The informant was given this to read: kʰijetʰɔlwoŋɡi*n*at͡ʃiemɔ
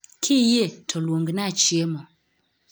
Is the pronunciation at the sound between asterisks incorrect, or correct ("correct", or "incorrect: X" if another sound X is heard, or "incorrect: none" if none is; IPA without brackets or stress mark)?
correct